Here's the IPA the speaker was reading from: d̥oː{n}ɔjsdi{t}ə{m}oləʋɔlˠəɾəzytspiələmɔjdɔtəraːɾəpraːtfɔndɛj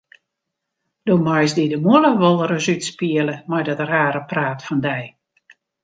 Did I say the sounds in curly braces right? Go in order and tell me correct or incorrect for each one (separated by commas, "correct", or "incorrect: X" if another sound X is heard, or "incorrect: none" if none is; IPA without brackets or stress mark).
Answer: incorrect: m, incorrect: d, correct